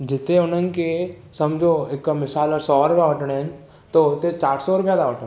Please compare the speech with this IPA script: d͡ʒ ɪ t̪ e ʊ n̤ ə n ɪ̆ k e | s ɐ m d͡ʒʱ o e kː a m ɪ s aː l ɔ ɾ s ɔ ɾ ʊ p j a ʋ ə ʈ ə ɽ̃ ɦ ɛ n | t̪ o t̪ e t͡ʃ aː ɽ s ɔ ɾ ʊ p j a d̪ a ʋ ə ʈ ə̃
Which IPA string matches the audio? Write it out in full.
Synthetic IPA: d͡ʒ ɪ t̪ e ʊ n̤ ə n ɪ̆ k e | s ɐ m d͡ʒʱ o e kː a m ɪ s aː l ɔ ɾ s ɔ ɾ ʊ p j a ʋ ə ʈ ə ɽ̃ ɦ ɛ n | t̪ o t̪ e t͡ʃ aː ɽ s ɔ ɾ ʊ p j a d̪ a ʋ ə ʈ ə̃